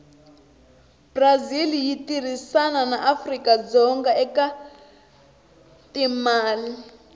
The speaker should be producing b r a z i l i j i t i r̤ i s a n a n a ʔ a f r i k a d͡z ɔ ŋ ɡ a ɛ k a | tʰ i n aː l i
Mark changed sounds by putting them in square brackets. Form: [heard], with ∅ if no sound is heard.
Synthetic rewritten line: b r a z i l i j i t i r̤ i s a n a n a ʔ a f r i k a d͡z ɔ ŋ ɡ a ɛ k a | [t] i [m] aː l i